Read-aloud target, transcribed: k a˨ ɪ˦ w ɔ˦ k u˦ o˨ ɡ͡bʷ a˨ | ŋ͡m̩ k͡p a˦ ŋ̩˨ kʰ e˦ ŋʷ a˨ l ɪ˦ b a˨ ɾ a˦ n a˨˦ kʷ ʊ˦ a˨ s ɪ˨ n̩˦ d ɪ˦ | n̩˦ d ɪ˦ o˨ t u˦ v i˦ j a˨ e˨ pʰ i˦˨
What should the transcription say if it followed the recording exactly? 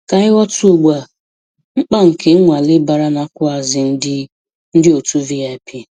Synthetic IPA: k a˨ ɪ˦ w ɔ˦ t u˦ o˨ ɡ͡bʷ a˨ | ŋ͡m̩ k͡p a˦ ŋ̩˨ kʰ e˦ ŋʷ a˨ l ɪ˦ b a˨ ɾ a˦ n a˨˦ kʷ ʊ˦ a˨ z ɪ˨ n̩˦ d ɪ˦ | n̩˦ d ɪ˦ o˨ t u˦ v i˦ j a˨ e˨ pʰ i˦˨